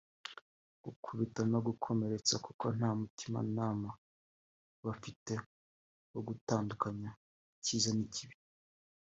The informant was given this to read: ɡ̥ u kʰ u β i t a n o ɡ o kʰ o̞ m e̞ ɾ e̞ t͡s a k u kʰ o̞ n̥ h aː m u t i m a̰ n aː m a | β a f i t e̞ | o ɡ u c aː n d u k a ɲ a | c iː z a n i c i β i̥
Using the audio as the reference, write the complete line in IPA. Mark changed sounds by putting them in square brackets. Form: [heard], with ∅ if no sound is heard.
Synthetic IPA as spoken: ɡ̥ u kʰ u β i t a n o ɡ [u] kʰ o̞ m e̞ ɾ e̞ t͡s a k u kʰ o̞ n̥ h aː m u t i m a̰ n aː m a | β a f i t e̞ | o ɡ u [t] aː n d u k a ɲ a | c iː z a n i c i β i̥